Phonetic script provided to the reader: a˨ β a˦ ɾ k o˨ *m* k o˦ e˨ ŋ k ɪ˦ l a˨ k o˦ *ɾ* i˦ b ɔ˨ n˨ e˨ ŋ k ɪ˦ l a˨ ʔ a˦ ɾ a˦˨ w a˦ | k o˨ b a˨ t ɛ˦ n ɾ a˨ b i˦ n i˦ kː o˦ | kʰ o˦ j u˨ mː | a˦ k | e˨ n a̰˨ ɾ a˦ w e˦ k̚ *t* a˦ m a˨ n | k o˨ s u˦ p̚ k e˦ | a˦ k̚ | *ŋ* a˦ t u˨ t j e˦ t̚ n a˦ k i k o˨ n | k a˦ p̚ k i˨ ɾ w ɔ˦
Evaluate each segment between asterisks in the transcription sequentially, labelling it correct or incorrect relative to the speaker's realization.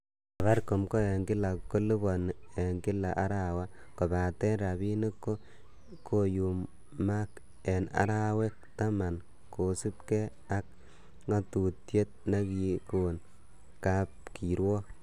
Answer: correct, incorrect: l, correct, correct

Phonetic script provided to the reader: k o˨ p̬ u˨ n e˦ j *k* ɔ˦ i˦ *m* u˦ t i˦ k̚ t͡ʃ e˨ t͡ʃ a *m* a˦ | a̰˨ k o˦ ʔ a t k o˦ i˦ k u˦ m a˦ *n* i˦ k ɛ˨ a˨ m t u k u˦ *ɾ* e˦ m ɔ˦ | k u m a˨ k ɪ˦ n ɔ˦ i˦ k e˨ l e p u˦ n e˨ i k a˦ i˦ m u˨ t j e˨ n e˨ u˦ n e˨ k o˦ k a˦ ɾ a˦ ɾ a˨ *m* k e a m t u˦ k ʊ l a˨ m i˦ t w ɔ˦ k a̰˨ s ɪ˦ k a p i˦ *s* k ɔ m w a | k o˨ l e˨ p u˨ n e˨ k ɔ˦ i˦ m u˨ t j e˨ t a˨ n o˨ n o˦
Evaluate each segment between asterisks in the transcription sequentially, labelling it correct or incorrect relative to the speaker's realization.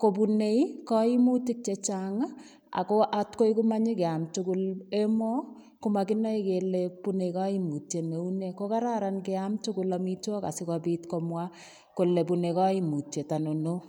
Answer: correct, correct, incorrect: ŋ, incorrect: ɲ, incorrect: l, incorrect: n, incorrect: t

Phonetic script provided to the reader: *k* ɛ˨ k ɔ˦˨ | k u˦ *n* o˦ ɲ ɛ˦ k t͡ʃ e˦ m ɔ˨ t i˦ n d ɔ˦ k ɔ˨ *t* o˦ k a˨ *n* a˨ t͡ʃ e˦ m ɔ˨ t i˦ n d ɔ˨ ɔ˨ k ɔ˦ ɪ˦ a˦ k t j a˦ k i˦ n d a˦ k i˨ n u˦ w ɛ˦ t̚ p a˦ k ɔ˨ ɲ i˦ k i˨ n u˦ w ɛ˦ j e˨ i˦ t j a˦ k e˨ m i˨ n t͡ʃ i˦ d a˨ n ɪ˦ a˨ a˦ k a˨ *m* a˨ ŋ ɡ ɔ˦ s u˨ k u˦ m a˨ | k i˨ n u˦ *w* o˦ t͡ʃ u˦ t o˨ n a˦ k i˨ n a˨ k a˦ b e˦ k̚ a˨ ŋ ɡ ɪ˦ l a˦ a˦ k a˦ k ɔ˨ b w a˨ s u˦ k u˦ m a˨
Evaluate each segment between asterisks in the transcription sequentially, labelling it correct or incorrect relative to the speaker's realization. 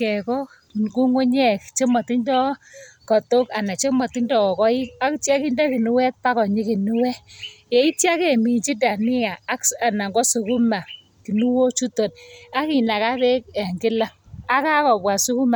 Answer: correct, incorrect: ŋ, correct, correct, incorrect: n, correct

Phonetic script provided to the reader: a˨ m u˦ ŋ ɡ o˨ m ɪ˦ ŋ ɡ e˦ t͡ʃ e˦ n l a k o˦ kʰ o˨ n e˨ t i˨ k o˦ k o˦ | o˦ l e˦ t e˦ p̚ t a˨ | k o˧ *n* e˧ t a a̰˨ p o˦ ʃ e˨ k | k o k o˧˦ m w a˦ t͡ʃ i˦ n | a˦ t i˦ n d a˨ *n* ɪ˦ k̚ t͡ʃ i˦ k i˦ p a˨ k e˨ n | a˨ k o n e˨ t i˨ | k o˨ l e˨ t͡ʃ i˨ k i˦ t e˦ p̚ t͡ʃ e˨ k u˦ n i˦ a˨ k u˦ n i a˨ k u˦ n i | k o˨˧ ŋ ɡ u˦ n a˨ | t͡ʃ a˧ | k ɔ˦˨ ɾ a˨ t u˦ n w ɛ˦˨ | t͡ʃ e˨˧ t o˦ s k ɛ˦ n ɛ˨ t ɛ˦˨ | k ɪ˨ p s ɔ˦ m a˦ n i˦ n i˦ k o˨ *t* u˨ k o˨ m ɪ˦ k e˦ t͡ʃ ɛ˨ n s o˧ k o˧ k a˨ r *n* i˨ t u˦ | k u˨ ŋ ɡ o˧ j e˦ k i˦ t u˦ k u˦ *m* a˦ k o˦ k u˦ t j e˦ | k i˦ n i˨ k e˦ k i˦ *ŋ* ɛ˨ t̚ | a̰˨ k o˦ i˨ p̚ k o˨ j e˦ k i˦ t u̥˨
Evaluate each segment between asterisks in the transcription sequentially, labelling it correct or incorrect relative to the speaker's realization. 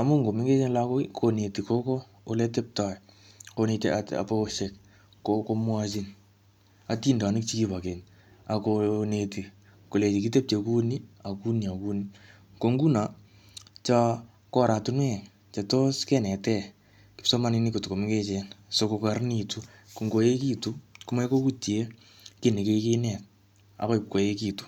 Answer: correct, correct, correct, correct, correct, incorrect: n

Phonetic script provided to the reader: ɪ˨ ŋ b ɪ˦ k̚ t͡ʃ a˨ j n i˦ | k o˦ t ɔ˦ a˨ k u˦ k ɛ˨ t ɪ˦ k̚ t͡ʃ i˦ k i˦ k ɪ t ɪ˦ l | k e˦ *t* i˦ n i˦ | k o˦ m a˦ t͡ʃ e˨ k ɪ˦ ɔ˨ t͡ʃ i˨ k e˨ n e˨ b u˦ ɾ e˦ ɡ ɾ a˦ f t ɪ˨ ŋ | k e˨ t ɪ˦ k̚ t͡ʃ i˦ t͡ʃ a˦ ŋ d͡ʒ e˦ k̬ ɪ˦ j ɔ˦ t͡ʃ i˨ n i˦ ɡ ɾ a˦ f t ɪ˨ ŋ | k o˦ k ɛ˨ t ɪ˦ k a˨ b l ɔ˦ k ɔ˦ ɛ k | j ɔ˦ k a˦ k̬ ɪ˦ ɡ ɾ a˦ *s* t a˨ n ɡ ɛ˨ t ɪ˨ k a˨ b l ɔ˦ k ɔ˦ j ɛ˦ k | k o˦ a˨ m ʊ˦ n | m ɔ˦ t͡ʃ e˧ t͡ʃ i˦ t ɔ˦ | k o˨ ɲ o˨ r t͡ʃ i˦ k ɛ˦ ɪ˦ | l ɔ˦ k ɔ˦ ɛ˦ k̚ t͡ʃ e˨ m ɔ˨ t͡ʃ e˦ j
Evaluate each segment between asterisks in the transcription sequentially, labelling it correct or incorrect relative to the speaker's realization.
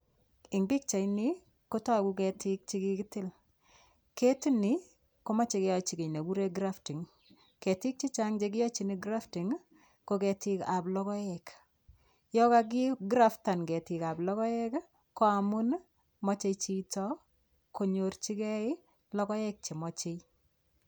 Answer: correct, incorrect: f

